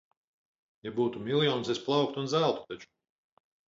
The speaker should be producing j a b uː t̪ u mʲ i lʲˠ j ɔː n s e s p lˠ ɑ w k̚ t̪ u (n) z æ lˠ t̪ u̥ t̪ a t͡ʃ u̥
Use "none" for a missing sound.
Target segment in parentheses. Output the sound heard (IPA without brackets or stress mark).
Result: n